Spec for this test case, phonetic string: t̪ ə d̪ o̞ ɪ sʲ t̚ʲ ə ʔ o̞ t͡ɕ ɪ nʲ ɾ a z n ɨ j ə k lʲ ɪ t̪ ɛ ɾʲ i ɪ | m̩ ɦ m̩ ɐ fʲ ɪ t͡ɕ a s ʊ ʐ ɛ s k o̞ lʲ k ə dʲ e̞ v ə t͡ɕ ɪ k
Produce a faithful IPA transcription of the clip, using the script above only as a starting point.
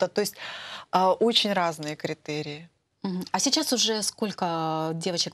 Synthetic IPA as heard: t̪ ə t̪ o̞ ɪ sʲ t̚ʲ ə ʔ o̞ t͡ɕ ɪ nʲ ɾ a z n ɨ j ə k ɾʲ ɪ t̪ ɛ ɾʲ ɪ ɪ | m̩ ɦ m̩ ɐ sʲ ɪ t͡ɕ a s ʊ ʐ ɛ s k o̞ lʲ k ə dʲ e̞ v ə t͡ɕ ɪ k